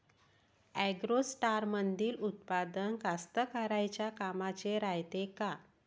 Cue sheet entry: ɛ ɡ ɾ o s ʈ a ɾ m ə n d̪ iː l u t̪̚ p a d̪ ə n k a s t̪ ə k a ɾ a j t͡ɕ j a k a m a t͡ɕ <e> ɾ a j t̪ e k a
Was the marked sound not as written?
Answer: no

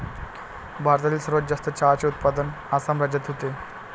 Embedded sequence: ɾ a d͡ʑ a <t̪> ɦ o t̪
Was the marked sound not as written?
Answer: no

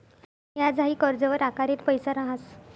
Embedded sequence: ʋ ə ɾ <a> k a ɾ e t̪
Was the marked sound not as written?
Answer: no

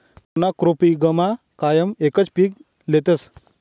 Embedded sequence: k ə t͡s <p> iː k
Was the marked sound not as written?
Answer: no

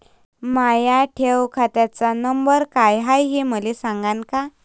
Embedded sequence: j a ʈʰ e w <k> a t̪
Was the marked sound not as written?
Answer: yes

